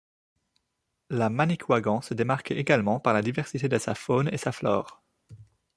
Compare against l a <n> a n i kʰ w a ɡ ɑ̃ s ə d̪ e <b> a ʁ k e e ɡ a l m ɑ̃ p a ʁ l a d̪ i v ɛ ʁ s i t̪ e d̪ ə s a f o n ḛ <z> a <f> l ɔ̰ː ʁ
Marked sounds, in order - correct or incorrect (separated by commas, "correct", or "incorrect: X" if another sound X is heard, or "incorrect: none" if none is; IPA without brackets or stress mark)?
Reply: incorrect: m, incorrect: m, incorrect: s, correct